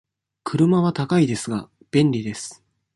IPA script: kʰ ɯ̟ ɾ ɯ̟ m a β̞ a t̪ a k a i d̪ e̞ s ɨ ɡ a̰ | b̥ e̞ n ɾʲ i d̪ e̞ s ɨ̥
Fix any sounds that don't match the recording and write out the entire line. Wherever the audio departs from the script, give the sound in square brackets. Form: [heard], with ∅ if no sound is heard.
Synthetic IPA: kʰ ɯ̟ ɾ ɯ̟ m a β̞ a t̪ a k a i d̪ e̞ s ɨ ɡ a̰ | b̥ [ẽ̞] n ɾʲ i d̪ e̞ s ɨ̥